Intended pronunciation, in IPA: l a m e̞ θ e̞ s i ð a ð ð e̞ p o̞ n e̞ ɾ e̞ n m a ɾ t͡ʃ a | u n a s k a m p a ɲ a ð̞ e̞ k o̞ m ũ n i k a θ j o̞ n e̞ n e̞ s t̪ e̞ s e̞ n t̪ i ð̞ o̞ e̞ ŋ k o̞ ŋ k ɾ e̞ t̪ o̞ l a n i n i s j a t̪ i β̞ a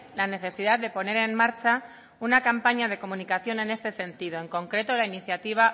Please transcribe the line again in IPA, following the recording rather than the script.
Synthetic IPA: l a n e̞ θ e̞ s i ð a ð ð e̞ p o̞ n e̞ ɾ e̞ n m a ɾ t͡ʃ a | u n a k a m p a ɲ a ð̞ e̞ k o̞ m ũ n i k a θ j o̞ n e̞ n e̞ s t̪ e̞ s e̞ n t̪ i ð̞ o̞ e̞ ŋ k o̞ ŋ k ɾ e̞ t̪ o̞ l a i n i θ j a t̪ i β̞ a